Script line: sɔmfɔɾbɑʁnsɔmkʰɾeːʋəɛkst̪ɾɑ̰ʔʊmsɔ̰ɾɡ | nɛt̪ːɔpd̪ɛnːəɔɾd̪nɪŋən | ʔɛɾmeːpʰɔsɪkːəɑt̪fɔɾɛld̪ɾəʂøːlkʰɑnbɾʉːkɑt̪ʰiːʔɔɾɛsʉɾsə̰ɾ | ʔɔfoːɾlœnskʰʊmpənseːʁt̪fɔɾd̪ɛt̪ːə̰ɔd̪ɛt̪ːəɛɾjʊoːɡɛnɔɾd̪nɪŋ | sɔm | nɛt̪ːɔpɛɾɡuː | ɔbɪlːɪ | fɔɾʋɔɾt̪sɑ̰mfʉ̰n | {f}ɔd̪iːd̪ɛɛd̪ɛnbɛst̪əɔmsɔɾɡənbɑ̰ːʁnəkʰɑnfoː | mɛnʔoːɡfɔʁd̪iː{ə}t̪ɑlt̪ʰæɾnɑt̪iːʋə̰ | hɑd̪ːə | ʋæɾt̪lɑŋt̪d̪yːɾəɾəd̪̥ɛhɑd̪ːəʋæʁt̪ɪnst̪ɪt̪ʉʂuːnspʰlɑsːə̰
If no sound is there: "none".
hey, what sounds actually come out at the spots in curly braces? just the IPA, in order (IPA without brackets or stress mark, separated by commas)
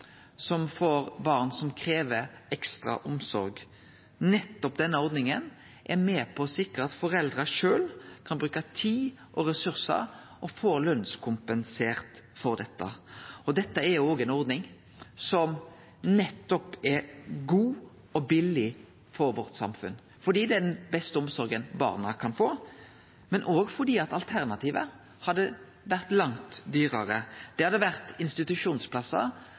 f, ɑ